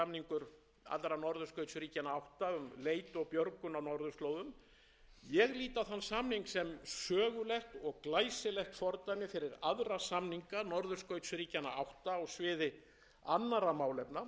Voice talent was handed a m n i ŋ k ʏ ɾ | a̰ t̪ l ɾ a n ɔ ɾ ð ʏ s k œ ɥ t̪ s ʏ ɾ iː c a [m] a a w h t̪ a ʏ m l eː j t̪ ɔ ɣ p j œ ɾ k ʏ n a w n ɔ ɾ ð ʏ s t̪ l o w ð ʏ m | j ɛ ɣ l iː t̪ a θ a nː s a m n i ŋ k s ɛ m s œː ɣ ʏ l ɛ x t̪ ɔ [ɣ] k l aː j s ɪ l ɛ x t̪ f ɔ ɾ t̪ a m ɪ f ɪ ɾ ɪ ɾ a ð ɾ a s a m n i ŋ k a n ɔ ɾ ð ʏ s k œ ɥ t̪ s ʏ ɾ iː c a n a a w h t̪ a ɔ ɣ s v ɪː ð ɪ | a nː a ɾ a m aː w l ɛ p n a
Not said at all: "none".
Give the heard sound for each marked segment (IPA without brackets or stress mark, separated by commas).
n, ɣ